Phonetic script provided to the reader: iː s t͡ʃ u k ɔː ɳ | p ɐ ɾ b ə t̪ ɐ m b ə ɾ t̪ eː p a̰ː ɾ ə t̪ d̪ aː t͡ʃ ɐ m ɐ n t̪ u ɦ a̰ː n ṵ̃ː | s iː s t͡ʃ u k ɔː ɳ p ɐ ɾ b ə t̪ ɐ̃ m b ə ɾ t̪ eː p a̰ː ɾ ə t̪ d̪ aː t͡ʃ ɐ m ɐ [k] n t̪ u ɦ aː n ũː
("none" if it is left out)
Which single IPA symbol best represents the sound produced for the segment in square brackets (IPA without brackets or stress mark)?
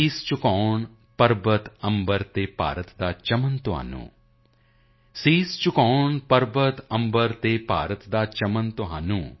none